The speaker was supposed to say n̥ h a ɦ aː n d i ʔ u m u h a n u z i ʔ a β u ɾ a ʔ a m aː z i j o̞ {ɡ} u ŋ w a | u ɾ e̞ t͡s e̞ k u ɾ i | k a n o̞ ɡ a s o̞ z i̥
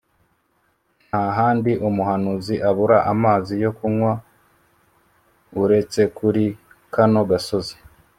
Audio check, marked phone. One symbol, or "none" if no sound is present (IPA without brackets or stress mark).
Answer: k